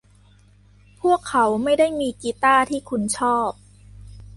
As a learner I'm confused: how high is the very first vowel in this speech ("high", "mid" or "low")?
high